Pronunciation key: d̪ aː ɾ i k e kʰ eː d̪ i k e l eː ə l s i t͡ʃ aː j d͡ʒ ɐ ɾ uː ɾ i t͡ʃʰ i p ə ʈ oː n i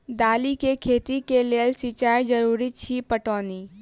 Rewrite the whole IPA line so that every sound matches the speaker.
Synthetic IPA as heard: d̪ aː l i k e kʰ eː t̪ i k e l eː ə l s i t͡ʃ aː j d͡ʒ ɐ ɾ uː ɾ i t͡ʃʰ i p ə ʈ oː n i